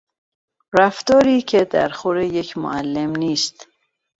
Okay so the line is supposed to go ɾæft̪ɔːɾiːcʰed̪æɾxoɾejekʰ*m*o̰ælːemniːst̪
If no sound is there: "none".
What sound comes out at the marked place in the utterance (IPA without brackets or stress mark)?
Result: m